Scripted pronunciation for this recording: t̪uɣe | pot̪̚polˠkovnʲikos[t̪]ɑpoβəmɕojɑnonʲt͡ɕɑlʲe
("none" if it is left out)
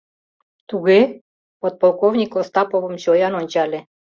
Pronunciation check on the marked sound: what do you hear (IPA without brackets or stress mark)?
t̪